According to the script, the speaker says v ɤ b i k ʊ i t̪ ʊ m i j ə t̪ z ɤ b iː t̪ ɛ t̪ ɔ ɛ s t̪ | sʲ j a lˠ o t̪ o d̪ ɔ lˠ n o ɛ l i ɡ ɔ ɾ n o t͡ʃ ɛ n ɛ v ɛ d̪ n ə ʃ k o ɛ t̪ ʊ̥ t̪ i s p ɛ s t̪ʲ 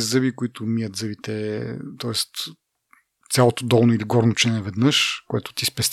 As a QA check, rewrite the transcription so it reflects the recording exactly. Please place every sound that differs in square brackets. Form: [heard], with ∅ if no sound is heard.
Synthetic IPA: [z] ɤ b i k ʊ i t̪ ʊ m i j ə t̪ z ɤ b [i] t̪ ɛ t̪ ɔ ɛ s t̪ | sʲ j a lˠ o t̪ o d̪ ɔ lˠ n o [i] l i ɡ ɔ ɾ n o t͡ʃ ɛ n ɛ v ɛ d̪ n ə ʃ k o ɛ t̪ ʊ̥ t̪ i s p ɛ s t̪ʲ